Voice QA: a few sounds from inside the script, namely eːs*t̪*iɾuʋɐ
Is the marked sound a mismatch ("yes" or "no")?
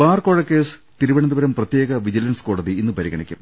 no